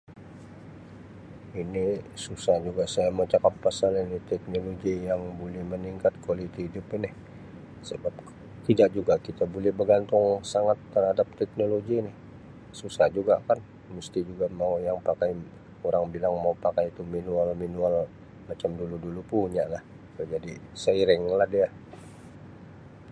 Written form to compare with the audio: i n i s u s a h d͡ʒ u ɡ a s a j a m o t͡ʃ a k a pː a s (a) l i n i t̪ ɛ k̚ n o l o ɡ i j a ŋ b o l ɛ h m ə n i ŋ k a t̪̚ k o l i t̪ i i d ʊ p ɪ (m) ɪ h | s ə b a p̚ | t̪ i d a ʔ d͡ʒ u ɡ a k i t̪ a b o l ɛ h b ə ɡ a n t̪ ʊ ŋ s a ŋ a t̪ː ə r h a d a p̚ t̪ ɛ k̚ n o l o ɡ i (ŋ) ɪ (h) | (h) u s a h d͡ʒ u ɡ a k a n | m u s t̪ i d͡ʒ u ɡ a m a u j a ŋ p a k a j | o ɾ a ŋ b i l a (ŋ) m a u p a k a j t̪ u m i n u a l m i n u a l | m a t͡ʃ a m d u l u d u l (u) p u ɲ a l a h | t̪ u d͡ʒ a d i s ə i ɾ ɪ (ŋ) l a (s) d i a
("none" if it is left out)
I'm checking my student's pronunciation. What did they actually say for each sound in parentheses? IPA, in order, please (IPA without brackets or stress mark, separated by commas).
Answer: a, n, n, h, s, ŋ, u, ŋ, h